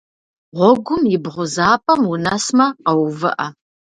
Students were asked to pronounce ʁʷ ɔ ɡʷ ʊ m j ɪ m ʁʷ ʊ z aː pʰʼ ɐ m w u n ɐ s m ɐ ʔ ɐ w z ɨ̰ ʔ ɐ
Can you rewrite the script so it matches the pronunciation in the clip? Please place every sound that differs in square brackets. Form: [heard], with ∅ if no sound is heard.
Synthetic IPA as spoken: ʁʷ ɔ ɡʷ ʊ m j ɪ [b] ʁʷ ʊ z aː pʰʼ ɐ m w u n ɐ s m ɐ [q] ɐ w [v] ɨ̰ ʔ ɐ